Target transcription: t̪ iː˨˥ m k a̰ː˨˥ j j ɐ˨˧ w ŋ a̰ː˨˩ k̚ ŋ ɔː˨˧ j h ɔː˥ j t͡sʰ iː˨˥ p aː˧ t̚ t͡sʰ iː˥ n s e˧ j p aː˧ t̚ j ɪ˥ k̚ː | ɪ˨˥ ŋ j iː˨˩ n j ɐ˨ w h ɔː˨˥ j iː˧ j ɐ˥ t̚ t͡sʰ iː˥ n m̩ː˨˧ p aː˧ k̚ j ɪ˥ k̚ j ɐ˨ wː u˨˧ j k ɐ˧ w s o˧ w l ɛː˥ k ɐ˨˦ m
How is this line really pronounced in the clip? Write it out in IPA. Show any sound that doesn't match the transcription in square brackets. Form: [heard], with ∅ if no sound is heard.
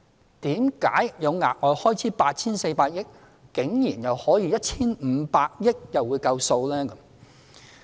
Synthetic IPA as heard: t̪ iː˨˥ m k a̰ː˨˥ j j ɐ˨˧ w ŋ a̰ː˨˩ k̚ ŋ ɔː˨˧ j h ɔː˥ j t͡sʰ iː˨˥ p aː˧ t̚ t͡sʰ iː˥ n s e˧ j p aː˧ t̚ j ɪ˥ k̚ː | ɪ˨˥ ŋ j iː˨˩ n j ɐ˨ w h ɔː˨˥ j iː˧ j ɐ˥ t̚ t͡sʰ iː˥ n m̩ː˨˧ p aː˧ k̚ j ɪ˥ k̚ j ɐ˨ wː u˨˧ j k ɐ˧ w s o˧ w l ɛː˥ k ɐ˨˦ m